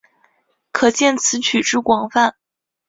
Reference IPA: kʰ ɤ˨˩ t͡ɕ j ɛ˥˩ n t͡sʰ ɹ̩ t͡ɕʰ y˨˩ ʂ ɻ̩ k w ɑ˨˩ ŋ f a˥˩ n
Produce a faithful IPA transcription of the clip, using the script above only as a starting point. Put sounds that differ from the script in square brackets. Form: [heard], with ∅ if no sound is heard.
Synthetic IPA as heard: kʰ ɤ˨˩ t͡ɕ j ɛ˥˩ n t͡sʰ ɹ̩ t͡ɕʰ y˨˩ [ʈ͡ʂ] ɻ̩ k w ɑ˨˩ ŋ f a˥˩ n